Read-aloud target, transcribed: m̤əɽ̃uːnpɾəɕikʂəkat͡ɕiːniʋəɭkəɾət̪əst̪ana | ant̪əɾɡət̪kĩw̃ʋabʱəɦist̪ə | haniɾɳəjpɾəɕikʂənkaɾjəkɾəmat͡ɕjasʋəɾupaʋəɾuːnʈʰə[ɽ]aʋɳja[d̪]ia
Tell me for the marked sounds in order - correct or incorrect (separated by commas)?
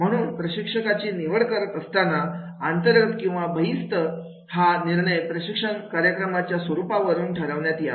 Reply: incorrect, incorrect